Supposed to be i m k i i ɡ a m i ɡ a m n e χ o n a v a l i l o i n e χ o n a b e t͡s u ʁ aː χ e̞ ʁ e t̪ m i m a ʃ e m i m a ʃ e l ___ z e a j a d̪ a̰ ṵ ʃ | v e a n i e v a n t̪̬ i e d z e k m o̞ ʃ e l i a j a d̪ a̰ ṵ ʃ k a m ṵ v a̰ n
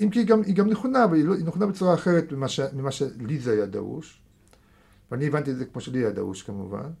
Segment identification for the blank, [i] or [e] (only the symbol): i